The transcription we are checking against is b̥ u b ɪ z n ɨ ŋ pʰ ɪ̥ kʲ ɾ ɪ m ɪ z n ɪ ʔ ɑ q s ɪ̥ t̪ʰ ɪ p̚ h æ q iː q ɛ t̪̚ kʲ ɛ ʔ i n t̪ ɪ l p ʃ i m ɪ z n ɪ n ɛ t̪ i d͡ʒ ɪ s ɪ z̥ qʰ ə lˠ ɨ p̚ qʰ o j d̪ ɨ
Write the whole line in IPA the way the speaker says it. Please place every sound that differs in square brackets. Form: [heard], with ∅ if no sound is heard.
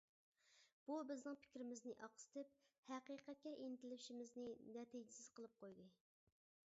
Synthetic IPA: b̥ u b ɪ z n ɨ ŋ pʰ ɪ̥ kʲ ɾ ɪ m ɪ z n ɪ ʔ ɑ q s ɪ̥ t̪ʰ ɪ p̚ h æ q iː q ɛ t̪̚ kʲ ɛ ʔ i n t̪ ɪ l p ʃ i m ɪ z n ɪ n ɛ t̪ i d͡ʒ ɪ s ɪ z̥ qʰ ə lˠ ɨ p̚ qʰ o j d̪ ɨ